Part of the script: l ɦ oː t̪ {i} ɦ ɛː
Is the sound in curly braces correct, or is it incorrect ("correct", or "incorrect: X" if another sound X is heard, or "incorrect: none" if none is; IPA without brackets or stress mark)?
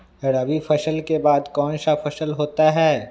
incorrect: a